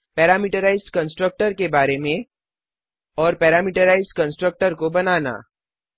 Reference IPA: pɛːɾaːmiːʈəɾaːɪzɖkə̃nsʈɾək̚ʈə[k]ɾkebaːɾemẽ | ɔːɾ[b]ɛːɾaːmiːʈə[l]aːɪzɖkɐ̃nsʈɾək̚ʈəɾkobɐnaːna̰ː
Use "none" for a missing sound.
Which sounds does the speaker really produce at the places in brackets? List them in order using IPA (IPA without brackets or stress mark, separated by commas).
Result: none, p, ɾ